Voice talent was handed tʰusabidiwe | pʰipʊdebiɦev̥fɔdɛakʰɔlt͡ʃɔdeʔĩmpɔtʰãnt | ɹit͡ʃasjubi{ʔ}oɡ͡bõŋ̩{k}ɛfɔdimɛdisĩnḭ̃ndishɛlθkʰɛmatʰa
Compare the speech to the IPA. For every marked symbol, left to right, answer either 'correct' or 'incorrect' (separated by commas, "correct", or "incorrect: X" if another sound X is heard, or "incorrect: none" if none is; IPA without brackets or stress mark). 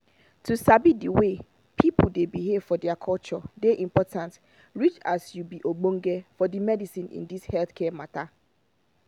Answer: correct, incorrect: ɡ